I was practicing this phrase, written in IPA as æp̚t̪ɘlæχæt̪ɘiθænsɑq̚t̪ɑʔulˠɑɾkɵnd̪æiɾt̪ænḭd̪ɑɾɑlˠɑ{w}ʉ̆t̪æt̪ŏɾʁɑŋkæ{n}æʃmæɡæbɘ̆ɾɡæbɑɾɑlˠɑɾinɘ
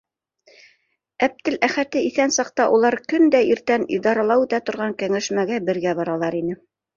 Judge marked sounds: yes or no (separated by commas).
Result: yes, no